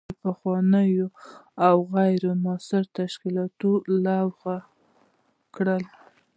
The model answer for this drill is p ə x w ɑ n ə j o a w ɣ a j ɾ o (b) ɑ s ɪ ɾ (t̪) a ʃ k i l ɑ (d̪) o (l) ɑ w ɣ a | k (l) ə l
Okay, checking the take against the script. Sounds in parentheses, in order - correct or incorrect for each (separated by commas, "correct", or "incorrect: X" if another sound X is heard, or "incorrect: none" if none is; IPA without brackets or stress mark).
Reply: incorrect: m, correct, incorrect: t̪, correct, incorrect: ɽ